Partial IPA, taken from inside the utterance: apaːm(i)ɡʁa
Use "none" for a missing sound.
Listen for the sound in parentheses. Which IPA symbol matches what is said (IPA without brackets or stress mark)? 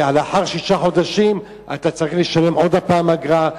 a